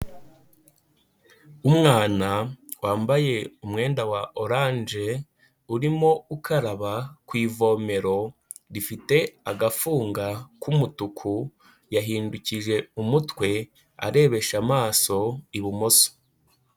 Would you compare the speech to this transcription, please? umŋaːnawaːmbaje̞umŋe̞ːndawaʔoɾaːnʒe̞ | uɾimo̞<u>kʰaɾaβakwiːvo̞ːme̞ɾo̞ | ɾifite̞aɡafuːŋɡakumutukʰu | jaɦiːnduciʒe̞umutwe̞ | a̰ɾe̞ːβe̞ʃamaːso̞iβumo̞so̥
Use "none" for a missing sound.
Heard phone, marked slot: u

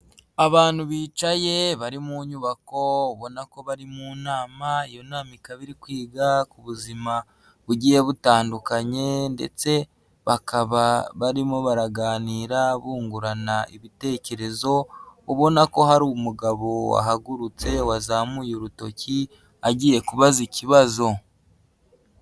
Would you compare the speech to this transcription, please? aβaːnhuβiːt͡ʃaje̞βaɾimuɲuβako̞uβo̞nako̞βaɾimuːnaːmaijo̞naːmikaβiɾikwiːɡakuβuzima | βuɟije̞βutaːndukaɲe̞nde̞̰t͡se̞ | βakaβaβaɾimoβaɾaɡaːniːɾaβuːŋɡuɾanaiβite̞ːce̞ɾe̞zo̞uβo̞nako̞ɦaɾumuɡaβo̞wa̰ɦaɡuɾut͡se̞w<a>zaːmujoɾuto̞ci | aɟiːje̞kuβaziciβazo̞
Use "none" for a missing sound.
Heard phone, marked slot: a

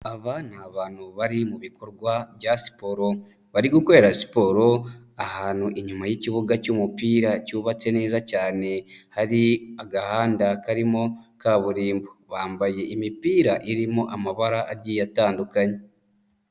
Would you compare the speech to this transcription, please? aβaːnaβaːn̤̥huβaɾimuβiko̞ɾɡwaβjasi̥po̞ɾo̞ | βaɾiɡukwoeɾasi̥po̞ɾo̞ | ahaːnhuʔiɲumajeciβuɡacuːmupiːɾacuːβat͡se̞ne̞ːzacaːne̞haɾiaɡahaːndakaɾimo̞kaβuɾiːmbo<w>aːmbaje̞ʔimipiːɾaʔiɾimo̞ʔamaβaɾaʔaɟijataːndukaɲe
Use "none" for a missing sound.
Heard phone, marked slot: β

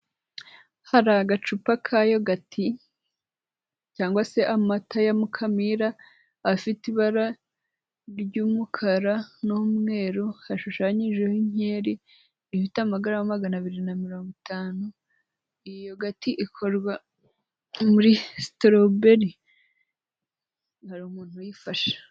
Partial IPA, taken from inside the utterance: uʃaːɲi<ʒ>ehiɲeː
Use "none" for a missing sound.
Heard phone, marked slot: ʒ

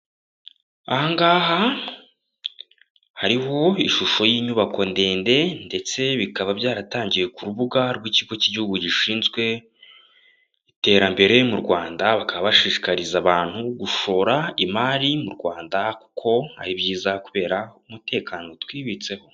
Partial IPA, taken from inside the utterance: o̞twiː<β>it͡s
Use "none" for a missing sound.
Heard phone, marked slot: β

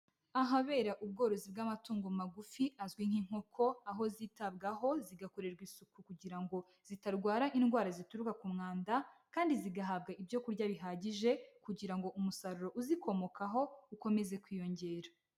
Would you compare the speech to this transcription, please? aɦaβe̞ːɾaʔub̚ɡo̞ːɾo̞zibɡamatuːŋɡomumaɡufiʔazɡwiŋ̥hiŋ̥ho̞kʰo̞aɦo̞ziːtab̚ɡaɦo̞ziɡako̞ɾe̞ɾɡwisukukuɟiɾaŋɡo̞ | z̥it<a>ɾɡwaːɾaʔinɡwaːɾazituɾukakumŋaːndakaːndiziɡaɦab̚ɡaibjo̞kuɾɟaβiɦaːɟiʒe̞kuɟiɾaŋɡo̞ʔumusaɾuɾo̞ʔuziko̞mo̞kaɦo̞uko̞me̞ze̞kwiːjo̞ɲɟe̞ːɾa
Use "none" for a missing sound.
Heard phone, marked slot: a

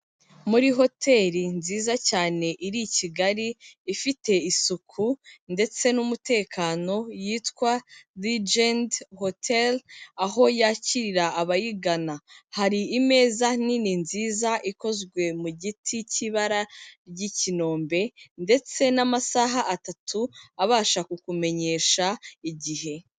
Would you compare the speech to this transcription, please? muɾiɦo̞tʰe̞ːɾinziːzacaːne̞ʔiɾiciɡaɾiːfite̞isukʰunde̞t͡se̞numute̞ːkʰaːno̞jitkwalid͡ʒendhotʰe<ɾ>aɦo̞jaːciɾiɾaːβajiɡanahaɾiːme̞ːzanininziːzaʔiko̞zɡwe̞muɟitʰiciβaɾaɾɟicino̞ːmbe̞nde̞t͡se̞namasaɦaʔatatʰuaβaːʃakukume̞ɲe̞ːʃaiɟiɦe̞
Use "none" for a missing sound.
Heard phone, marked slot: l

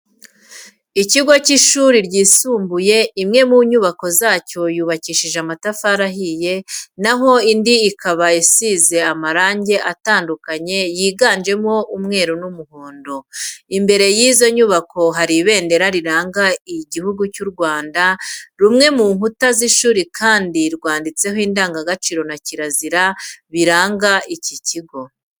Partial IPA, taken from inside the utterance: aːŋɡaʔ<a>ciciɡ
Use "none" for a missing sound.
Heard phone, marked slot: i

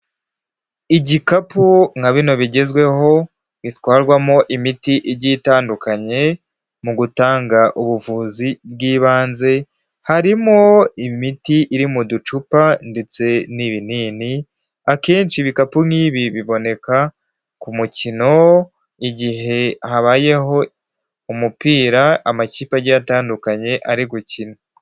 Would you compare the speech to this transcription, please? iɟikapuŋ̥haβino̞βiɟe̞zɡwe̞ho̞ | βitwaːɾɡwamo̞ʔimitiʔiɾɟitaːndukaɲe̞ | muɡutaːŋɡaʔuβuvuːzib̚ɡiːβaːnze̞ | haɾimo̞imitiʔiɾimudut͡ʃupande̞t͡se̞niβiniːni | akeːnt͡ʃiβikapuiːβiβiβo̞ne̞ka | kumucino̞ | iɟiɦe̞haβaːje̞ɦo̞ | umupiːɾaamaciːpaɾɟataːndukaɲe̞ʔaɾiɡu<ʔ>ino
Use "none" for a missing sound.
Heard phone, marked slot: c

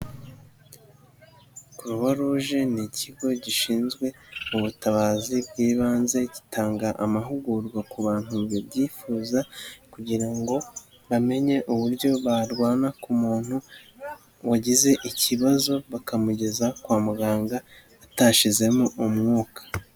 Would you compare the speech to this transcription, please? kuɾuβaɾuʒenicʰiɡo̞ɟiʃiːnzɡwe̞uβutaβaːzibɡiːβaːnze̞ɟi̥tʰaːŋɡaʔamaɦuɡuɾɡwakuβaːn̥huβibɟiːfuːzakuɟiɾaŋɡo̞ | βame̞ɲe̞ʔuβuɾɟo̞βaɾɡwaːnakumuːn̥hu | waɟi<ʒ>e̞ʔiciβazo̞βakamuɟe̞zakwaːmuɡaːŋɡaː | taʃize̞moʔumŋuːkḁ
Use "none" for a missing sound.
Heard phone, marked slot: z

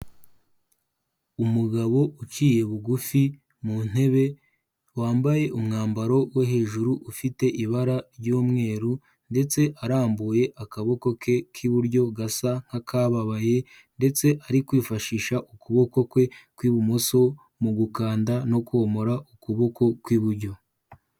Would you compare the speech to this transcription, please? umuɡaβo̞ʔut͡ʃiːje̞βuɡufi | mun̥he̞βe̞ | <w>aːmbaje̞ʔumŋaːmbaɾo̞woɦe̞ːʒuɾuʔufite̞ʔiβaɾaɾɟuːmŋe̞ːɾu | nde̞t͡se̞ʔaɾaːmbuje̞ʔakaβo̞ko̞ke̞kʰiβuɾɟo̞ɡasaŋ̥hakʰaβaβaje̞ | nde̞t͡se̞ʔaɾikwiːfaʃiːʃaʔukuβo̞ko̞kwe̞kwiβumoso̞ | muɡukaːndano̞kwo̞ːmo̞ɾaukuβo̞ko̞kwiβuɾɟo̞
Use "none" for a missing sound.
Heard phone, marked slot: w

